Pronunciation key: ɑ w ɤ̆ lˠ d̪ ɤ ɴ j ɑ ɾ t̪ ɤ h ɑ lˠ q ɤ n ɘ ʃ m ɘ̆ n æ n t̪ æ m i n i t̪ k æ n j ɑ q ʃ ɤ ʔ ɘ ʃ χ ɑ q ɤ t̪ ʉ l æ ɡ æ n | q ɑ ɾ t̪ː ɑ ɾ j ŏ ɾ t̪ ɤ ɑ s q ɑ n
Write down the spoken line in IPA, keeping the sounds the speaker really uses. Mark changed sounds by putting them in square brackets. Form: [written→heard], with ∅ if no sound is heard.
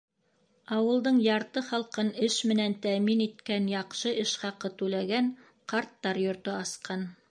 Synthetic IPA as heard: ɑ w ɤ̆ lˠ d̪ ɤ ɴ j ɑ ɾ t̪ ɤ [h→χ] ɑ lˠ q ɤ n ɘ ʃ m ɘ̆ n æ n t̪ æ m i n i t̪ k æ n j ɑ q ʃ ɤ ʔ ɘ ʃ χ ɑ q ɤ t̪ ʉ l æ ɡ æ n | q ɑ ɾ t̪ː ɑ ɾ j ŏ ɾ t̪ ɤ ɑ s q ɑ n